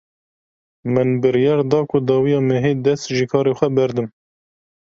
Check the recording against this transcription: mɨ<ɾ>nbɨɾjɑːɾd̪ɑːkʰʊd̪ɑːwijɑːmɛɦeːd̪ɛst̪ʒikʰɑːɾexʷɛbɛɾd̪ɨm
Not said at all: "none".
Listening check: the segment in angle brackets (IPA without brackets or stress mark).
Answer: none